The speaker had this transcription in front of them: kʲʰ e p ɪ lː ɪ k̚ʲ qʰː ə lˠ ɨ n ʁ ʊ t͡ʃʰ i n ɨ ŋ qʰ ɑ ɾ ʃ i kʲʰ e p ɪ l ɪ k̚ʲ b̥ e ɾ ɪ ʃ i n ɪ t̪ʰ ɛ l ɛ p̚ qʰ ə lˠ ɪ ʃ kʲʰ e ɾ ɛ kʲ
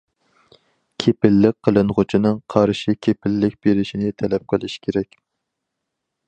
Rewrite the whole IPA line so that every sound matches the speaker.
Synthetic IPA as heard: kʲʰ e p ɪ lː ɪ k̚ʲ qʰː ə lˠ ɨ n ʁ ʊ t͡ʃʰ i n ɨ ŋ qʰ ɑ ɾ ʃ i kʲʰ e p ɪ lː ɪ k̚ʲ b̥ e ɾ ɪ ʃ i n ɪ t̪ʰ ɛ l ɛ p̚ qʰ ə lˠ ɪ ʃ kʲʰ e ɾ ɛ kʲ